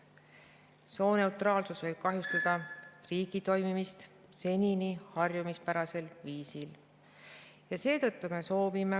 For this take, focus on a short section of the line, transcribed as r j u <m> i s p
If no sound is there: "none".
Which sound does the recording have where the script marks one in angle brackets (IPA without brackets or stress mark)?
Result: m